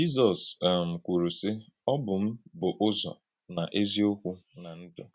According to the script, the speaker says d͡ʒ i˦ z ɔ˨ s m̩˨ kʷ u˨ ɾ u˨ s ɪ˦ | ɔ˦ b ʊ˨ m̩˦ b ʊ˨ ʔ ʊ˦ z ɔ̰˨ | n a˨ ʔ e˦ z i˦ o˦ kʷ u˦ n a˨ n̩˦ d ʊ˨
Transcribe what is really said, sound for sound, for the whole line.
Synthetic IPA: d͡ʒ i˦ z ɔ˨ s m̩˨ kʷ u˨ ɾ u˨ s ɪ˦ | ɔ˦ b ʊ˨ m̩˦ b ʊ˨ ʔ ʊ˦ z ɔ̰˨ | n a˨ ʔ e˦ z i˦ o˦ kʷ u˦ n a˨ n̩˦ d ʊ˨